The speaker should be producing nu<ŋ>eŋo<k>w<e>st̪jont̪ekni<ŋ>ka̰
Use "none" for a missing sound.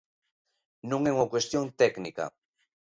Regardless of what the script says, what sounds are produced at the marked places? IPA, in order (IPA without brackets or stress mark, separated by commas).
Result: ŋ, k, e, none